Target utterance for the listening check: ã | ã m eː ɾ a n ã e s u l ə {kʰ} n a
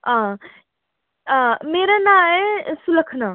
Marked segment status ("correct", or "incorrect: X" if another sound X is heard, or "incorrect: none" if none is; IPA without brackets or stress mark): correct